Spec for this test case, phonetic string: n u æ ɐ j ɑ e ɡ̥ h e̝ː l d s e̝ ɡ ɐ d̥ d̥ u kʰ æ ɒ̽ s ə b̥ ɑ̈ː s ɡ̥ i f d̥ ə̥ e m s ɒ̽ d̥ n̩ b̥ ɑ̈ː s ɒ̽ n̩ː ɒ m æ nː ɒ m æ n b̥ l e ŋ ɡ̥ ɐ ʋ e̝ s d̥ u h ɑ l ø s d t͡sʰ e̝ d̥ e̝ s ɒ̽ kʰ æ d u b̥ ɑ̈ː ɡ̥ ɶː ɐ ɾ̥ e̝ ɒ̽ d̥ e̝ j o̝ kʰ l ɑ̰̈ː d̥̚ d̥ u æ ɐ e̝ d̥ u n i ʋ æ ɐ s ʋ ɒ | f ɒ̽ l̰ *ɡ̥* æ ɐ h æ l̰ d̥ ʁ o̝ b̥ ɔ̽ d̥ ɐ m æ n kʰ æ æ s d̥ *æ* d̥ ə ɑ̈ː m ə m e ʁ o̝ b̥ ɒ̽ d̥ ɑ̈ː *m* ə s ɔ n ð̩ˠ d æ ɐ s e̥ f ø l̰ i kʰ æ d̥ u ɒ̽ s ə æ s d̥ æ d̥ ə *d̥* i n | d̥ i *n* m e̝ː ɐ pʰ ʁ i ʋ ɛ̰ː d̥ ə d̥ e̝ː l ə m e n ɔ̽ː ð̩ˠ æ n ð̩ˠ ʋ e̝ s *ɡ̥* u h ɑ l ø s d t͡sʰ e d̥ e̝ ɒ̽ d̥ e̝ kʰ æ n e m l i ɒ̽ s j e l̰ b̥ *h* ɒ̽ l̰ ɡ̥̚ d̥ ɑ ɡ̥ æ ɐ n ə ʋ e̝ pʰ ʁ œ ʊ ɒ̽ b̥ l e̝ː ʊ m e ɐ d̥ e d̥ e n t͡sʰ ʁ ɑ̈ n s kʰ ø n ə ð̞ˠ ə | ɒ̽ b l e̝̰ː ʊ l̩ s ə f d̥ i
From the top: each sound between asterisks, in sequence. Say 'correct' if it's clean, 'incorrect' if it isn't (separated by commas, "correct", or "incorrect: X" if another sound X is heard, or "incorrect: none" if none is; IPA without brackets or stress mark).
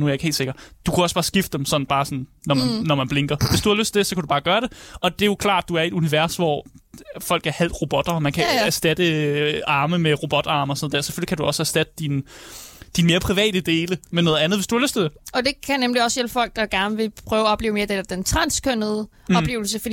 correct, correct, correct, correct, correct, incorrect: d̥, incorrect: f